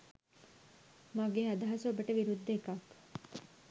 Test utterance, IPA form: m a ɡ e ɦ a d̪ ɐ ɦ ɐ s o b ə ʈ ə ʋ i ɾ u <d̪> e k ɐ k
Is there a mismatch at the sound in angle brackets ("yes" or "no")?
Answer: yes